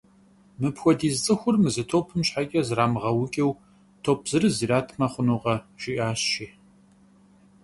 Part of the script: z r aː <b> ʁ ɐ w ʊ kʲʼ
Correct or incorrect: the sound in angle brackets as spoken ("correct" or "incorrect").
incorrect